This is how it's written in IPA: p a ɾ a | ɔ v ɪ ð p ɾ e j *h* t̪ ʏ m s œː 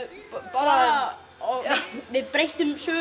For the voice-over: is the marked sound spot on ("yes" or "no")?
yes